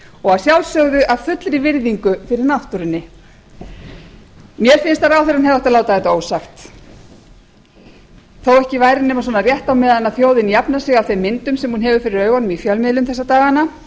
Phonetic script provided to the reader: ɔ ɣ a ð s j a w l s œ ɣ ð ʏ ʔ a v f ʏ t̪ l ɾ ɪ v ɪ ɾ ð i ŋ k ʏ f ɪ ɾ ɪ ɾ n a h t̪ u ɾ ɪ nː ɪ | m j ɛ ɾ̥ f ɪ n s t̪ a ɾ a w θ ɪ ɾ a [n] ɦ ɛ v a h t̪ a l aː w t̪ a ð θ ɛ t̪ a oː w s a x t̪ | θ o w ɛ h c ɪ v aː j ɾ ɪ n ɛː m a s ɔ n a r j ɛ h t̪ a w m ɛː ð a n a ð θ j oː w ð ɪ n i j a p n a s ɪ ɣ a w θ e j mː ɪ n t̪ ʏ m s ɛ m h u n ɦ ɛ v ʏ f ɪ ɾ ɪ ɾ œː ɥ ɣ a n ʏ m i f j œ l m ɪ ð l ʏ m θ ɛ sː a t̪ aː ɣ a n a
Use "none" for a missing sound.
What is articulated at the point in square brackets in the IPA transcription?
n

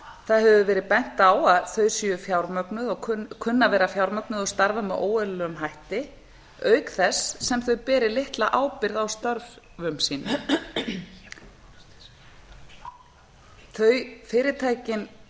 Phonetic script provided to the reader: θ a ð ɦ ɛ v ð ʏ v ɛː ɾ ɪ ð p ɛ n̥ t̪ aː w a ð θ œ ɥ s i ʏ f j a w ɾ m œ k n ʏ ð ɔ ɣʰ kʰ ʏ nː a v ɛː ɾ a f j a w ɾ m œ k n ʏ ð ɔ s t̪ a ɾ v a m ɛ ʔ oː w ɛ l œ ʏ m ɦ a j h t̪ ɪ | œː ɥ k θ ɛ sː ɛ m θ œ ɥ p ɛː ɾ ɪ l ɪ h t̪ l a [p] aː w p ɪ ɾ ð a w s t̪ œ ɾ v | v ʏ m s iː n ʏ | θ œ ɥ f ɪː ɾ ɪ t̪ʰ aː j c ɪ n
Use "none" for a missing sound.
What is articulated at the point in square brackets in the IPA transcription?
ʔ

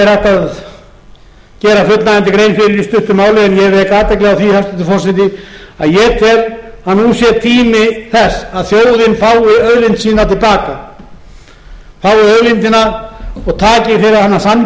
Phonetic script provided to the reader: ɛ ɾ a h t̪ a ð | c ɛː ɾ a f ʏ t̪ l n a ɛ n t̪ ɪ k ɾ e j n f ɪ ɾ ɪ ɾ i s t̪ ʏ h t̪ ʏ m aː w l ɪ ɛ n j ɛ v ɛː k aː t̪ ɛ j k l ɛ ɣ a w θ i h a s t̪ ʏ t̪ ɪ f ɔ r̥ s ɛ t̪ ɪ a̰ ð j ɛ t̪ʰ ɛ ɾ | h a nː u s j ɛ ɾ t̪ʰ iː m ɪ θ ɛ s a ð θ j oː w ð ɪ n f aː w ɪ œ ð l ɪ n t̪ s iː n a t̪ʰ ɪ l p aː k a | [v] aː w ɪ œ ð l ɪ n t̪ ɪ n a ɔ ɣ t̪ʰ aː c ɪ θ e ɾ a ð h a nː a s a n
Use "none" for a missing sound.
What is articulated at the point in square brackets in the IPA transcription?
f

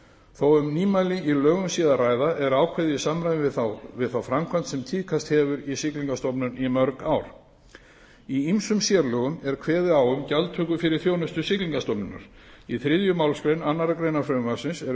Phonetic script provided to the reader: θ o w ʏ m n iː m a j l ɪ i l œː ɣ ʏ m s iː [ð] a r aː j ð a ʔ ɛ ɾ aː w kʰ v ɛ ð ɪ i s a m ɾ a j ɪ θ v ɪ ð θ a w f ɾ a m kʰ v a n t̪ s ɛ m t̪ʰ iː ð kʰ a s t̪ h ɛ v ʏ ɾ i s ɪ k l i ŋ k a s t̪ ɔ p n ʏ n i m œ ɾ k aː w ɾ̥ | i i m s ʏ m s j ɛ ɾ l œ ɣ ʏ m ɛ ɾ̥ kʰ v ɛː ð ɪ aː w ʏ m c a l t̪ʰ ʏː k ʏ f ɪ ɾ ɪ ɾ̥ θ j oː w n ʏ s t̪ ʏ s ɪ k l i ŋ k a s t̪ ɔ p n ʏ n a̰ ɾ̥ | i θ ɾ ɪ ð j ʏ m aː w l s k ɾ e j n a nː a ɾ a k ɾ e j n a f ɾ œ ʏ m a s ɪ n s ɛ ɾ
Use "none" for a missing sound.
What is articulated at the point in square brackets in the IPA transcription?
ð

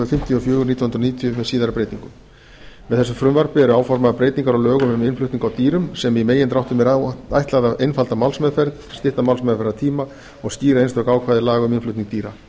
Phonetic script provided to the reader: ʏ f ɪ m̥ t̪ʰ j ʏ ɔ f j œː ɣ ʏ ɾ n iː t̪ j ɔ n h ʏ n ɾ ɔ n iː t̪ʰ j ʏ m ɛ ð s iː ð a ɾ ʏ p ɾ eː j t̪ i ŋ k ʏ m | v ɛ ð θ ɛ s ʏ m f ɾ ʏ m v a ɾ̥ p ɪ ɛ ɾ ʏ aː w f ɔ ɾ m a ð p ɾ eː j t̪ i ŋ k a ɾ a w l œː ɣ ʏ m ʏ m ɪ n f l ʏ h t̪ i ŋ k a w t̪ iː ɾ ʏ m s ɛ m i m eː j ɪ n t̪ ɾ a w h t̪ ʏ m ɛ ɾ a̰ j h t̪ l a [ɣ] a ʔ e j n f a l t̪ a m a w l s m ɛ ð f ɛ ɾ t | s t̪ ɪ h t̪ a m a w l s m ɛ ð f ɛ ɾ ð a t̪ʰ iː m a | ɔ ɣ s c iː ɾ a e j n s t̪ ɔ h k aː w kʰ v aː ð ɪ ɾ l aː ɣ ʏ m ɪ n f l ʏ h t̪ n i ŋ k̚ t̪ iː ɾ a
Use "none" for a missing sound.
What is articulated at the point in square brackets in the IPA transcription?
ð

